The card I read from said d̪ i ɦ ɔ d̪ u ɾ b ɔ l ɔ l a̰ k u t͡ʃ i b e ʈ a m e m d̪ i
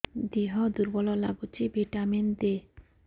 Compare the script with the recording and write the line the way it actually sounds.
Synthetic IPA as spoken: d̪ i ɦ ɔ d̪ u ɾ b ɔ l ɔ l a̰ ɡ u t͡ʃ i b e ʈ a m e n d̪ e